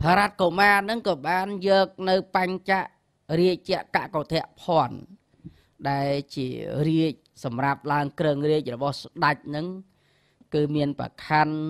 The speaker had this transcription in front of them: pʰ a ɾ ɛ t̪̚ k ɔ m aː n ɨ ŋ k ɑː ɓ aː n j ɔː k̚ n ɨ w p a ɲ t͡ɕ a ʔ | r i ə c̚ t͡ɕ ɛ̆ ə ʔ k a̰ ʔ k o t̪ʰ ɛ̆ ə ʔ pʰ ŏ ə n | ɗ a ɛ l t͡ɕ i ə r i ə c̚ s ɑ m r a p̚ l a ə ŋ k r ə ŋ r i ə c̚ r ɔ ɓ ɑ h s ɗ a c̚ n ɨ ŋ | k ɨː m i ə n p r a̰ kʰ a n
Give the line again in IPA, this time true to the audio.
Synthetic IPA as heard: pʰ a ɾ a t̪̚ k o m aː n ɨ ŋ k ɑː ɓ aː n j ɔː k̚ n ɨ w p a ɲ t͡ɕ a ʔ | r i ə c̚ t͡ɕ ɛ̆ ə ʔ k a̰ ʔ k o t̪ʰ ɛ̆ ə ʔ pʰ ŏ ə n | ɗ a ɛ l t͡ɕ i ə r i ə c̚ s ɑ m r a p̚ l a ə ŋ k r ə ŋ r i ə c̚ r ɔ ɓ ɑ h s ɗ a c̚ n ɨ ŋ | k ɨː m i ə n p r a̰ kʰ a n